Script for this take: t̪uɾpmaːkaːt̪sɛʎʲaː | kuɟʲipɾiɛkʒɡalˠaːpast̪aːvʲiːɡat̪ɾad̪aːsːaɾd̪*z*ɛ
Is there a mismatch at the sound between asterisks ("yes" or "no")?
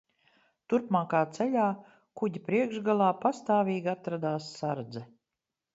no